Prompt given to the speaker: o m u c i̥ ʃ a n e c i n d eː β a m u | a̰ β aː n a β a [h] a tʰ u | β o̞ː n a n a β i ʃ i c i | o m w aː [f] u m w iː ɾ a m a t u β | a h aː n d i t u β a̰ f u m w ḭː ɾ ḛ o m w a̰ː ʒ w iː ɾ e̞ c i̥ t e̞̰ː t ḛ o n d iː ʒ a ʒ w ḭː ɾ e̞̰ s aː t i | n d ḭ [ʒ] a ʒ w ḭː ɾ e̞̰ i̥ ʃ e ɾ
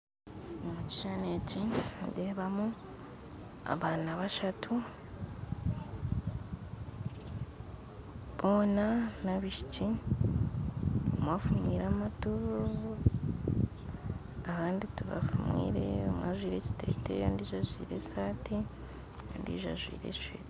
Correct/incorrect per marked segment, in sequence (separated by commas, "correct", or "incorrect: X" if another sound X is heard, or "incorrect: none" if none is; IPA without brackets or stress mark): incorrect: ʃ, correct, correct